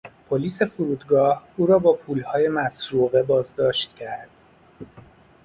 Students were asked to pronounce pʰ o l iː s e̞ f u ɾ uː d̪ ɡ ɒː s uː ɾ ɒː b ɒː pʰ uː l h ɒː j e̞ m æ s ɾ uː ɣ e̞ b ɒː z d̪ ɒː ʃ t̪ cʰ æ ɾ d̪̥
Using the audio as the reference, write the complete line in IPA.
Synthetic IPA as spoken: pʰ o l iː s e̞ f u ɾ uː d̪ ɡ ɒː h uː ɾ ɒː b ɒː pʰ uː l h ɒː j e̞ m æ s ɾ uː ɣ e̞ b ɒː z d̪ ɒː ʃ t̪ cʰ æ ɾ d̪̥